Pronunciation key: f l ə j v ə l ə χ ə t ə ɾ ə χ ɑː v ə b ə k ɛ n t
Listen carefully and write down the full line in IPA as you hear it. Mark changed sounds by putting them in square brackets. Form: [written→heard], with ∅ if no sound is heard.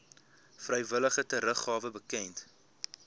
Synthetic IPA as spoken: f [l→r] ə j v ə l ə χ ə t ə ɾ ə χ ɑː v ə b ə k ɛ n t